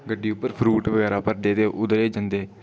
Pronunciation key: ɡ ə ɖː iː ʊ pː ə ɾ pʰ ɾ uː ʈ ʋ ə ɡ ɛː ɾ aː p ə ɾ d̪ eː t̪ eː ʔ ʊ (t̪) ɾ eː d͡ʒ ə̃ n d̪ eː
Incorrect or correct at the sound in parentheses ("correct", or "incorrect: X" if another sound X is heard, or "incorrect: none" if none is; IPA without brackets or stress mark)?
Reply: incorrect: d̪